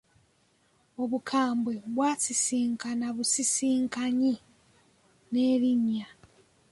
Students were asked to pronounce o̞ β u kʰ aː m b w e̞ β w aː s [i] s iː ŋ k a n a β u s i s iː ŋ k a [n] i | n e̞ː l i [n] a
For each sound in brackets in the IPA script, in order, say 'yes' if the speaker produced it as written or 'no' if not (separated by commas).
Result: yes, no, no